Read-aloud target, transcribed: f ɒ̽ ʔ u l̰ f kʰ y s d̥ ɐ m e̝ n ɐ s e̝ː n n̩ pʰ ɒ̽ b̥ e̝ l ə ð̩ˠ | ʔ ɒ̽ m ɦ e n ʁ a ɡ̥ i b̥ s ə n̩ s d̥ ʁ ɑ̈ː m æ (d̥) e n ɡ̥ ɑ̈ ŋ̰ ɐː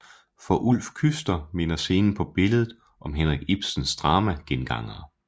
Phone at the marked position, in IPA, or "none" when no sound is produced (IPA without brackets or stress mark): ɡ̥